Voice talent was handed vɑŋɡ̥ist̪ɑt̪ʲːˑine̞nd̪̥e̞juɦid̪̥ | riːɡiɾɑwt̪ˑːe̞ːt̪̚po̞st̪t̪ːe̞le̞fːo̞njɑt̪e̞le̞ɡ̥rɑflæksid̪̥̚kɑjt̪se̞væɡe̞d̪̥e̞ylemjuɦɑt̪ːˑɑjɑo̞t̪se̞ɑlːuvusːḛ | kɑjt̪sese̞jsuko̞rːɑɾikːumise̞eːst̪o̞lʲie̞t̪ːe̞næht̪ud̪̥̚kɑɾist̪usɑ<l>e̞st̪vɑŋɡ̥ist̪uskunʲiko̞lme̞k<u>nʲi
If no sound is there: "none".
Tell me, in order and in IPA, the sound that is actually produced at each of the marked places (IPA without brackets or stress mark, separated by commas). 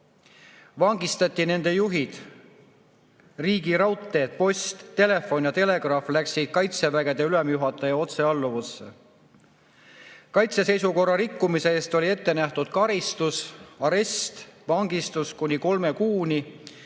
ɾ, uː